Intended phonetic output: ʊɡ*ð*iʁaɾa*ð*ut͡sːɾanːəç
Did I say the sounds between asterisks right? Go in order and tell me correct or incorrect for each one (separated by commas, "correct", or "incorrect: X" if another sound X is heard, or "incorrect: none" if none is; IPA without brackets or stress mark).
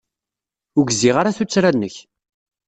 incorrect: z, incorrect: θ